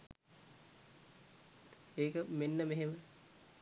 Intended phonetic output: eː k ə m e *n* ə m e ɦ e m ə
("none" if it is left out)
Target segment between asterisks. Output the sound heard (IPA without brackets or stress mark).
nː